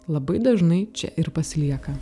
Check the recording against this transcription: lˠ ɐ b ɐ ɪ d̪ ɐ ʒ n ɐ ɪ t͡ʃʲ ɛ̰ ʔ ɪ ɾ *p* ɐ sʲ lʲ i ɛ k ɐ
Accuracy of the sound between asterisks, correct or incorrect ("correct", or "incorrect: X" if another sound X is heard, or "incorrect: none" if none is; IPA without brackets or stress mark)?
correct